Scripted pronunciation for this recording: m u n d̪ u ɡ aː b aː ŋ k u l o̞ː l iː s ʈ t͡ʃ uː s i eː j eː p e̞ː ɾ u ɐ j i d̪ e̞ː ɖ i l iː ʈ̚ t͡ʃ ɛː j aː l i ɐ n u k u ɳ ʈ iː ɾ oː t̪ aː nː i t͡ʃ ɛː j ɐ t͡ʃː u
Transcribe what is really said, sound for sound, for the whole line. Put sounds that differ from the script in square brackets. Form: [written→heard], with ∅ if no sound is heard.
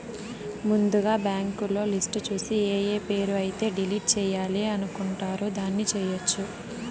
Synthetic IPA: m u n d̪ u ɡ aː b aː ŋ k u l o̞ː l [iː→i] s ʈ t͡ʃ uː s i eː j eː p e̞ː ɾ u ɐ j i [d̪→t̪] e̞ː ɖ i l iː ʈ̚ t͡ʃ ɛː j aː l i ɐ n u k u ɳ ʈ [iː→aː] ɾ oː [t̪→d̪] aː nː i t͡ʃ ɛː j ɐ t͡ʃː u